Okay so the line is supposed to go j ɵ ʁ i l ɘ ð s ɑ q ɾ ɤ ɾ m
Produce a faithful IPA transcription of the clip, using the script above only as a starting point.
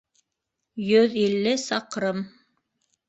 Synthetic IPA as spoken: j ɵ ð i lː ɘ s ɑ q ɾ ɤ m